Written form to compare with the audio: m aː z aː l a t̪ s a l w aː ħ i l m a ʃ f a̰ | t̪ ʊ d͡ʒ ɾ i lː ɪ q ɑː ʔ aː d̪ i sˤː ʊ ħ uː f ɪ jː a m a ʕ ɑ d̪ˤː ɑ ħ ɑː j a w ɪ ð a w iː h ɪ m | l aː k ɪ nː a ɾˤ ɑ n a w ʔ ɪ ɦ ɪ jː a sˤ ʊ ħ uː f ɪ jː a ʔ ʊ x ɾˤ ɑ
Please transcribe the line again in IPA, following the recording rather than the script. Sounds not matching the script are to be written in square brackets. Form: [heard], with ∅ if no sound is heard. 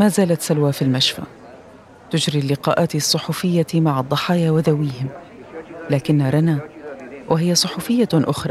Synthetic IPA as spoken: m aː z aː l a t̪ s a l w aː [f] i l m a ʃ f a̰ | t̪ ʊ d͡ʒ ɾ i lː ɪ q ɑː ʔ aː [t̪] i sˤː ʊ ħ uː f ɪ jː a m a ʕ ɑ d̪ˤː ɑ ħ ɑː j a w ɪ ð a w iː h ɪ m | l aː k ɪ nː a ɾˤ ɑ n a w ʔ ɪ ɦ ɪ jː a sˤ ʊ ħ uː f ɪ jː a ʔ ʊ x ɾˤ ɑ